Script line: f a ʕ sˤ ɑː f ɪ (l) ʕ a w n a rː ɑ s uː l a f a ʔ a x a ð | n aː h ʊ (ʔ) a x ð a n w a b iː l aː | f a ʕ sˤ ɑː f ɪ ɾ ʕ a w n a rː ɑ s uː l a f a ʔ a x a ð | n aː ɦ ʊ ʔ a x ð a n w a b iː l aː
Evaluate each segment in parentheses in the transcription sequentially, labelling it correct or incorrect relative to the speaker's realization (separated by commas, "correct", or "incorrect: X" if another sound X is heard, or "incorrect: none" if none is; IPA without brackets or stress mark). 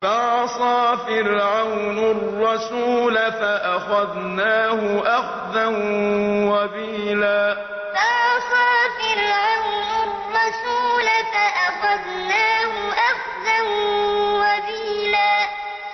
incorrect: ɾ, correct